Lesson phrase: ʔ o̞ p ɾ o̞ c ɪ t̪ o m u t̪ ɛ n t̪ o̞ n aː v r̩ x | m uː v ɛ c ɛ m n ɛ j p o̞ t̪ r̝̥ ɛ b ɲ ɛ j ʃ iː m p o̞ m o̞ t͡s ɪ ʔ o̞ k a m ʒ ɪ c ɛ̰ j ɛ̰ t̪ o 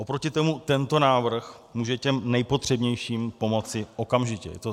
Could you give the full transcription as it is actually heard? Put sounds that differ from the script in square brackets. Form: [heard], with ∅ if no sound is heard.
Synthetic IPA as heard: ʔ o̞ p ɾ o̞ c ɪ t̪ o m u t̪ ɛ n t̪ o̞ n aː v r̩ x | m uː [ʒ] ɛ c ɛ m n ɛ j p o̞ t̪ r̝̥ ɛ b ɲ ɛ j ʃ iː m p o̞ m o̞ t͡s ɪ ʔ o̞ k a m ʒ ɪ c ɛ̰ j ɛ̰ t̪ o